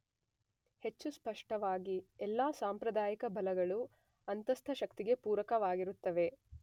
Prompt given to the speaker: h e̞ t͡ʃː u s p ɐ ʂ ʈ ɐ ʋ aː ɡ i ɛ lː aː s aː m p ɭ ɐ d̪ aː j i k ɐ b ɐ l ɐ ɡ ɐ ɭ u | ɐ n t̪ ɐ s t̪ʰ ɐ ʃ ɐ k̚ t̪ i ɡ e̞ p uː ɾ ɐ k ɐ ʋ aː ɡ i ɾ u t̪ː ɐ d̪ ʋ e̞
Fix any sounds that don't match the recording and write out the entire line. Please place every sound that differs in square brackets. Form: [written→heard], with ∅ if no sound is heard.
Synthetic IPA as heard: h e̞ t͡ʃː u s p ɐ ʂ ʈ ɐ ʋ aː ɡ i ɛ lː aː s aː m p [ɭ→ɾ] ɐ d̪ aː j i k ɐ b ɐ l ɐ ɡ ɐ ɭ u | ɐ n t̪ ɐ s t̪ʰ ɐ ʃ ɐ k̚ t̪ i ɡ e̞ p uː ɾ ɐ k ɐ ʋ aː ɡ i ɾ u t̪ː ɐ [d̪→∅] ʋ e̞